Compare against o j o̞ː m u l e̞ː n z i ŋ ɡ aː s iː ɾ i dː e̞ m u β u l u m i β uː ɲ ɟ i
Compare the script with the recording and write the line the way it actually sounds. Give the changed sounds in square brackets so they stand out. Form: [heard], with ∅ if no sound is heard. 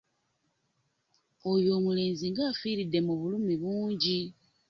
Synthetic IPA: o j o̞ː m u l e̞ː n z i ŋ ɡ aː [f] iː ɾ i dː e̞ m u β u l u m i β uː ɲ ɟ i